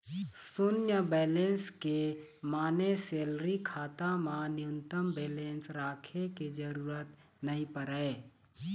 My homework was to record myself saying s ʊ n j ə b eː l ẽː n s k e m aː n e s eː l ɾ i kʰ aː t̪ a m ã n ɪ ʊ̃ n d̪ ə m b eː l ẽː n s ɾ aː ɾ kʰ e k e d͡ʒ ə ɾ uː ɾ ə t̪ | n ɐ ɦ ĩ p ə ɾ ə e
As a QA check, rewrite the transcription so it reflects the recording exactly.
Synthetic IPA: s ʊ n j ə b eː l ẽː n s k e m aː n e s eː l ɾ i kʰ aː t̪ a m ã n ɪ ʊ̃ n t̪ ə m b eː l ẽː n s ɾ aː kʰ e k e d͡ʒ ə ɾ uː ɾ ə t̪ | n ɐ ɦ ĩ p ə ɾ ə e